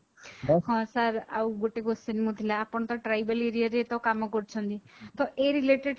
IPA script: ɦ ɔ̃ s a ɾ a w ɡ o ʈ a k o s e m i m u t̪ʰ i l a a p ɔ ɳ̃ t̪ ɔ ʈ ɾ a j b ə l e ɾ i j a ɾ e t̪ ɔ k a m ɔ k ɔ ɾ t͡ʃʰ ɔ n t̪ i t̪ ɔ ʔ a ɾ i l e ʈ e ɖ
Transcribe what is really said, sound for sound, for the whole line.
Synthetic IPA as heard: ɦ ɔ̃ s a ɾ a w ɡ o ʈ e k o s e n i m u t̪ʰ i l a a p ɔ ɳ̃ t̪ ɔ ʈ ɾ a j b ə l e ɾ i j a ɾ e t̪ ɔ k a m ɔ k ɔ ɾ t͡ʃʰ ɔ n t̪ i t̪ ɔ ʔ e ɾ i l e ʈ e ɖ